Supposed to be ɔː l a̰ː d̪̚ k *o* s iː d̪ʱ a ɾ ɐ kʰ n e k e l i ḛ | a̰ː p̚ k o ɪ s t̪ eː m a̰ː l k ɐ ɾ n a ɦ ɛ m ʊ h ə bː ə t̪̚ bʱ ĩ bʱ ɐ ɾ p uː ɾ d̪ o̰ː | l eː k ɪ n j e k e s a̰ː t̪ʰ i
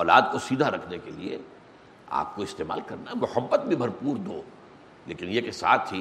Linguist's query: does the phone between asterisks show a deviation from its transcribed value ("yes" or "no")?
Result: no